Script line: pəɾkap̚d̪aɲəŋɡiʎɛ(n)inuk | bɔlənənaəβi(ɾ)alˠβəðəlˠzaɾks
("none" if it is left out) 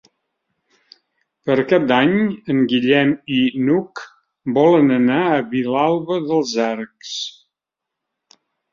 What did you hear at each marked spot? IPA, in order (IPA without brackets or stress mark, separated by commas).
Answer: m, l